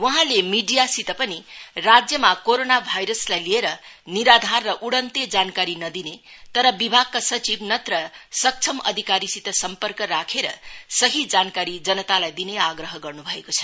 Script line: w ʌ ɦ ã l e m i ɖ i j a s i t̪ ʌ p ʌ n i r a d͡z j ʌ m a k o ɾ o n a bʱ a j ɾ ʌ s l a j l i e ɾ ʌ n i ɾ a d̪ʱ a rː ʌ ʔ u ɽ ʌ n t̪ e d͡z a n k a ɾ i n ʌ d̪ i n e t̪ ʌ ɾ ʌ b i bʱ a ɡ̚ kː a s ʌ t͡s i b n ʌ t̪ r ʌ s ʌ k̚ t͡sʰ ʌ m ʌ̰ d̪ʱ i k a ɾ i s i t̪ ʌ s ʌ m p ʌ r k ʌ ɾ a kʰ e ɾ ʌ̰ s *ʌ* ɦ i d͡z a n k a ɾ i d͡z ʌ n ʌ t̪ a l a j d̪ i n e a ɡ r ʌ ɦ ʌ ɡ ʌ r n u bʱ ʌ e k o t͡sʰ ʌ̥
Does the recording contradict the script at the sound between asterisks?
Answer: no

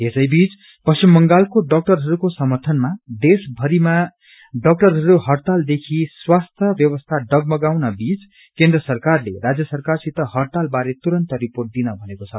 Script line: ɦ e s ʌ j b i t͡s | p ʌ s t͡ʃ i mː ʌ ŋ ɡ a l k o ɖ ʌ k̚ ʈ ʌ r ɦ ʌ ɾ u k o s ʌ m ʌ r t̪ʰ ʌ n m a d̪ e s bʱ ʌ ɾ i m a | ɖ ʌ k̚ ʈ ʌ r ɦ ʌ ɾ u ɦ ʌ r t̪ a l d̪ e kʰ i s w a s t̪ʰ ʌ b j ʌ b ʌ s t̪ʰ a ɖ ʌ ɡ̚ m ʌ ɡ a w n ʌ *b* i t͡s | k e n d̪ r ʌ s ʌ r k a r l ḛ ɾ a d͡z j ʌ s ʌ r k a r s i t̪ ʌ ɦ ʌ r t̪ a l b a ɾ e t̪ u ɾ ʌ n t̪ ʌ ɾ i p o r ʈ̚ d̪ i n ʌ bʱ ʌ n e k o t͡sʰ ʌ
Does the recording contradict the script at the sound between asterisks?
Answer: no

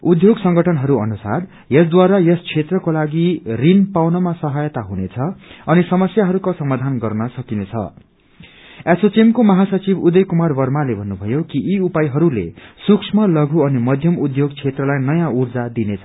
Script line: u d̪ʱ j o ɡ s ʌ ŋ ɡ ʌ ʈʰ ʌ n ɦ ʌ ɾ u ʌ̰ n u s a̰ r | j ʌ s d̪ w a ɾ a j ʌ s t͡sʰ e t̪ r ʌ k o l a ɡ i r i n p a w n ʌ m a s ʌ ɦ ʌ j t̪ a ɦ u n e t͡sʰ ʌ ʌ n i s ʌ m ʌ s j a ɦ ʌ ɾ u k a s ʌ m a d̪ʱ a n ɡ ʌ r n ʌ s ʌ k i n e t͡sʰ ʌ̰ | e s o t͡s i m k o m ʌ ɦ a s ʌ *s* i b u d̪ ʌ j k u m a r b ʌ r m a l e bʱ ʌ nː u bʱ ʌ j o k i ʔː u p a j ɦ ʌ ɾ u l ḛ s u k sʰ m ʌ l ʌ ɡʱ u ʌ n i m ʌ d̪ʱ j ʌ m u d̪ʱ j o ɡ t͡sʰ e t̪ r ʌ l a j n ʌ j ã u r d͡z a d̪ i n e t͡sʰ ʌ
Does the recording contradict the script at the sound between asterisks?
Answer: yes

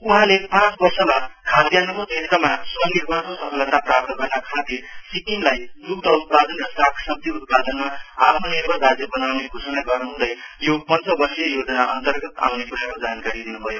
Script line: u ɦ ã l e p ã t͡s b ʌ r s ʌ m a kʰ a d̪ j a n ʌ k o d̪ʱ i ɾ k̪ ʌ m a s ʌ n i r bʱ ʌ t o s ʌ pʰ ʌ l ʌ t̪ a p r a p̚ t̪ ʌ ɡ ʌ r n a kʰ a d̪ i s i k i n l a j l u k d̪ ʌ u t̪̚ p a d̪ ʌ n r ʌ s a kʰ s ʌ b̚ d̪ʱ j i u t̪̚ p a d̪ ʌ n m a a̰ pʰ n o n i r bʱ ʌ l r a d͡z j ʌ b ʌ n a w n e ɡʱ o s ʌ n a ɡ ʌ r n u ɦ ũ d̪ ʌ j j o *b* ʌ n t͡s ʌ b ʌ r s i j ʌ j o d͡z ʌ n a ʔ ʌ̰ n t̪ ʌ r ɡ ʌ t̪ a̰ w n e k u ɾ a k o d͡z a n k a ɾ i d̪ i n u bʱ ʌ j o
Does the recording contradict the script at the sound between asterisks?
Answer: yes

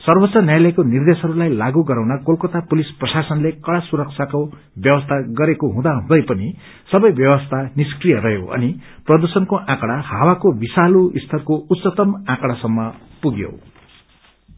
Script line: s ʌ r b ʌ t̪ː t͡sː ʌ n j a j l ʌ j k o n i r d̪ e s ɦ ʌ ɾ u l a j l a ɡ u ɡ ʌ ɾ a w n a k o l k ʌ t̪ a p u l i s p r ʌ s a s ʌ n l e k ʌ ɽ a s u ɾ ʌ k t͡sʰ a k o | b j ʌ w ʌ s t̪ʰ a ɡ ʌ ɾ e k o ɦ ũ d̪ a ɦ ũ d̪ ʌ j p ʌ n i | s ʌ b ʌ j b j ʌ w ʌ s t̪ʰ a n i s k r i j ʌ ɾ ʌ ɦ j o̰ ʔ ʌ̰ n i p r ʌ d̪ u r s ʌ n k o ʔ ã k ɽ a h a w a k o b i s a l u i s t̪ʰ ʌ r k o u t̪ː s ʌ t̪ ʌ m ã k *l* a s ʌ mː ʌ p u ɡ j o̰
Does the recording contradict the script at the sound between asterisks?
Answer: yes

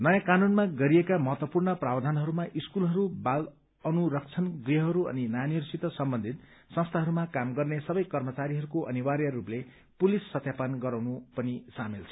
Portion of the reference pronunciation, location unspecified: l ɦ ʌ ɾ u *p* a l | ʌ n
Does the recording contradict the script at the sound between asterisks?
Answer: yes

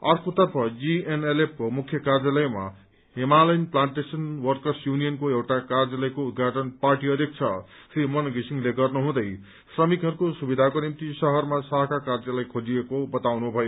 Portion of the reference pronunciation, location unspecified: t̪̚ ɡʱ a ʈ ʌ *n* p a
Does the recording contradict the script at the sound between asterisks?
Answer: no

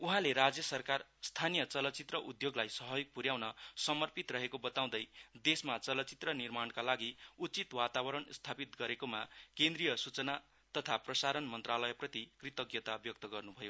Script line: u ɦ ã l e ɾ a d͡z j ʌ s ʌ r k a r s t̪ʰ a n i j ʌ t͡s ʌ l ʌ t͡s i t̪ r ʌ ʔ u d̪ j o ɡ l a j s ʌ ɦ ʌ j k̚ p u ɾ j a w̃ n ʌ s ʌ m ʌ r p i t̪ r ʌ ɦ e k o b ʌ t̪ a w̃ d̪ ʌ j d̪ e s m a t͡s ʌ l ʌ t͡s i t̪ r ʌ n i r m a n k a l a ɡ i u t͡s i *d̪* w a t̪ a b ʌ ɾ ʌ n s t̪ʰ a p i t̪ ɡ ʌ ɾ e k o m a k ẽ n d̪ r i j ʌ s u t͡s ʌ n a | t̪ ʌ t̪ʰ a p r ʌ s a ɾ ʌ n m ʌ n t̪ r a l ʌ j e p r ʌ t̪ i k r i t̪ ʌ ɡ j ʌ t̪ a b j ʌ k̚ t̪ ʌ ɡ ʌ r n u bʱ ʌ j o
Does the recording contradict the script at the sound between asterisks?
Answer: yes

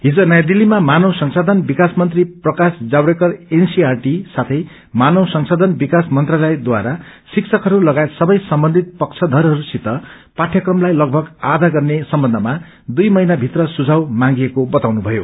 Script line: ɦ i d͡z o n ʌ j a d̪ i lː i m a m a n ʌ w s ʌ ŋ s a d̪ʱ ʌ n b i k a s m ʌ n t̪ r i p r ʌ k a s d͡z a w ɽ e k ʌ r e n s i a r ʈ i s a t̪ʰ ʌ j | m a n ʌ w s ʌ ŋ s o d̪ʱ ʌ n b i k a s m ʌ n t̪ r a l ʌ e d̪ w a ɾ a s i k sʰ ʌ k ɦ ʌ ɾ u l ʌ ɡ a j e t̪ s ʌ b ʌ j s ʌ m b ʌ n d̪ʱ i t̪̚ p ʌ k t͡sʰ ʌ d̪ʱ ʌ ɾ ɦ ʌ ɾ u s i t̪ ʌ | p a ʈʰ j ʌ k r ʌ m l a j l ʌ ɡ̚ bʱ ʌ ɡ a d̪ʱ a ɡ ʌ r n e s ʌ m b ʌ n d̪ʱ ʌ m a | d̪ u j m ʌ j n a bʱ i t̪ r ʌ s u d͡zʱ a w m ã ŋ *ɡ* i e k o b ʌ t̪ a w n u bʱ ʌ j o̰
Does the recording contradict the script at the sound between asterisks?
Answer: no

